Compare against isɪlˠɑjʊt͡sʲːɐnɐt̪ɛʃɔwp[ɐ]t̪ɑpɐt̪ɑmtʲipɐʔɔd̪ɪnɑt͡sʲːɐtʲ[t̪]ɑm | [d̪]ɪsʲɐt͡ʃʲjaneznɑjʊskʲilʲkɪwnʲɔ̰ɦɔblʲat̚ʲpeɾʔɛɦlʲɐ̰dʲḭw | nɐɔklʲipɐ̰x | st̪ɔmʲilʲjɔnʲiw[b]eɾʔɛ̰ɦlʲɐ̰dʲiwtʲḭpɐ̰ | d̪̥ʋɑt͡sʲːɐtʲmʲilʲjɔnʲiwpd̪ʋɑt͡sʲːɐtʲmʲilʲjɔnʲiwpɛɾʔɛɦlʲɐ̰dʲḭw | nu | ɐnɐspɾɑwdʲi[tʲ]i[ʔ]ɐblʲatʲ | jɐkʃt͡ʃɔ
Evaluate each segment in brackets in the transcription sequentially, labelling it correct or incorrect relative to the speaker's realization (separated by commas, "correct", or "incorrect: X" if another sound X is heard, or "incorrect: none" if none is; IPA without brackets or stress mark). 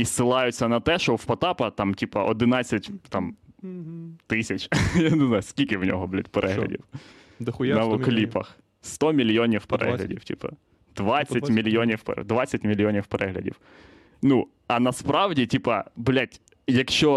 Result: correct, correct, incorrect: t̪, incorrect: p, correct, incorrect: p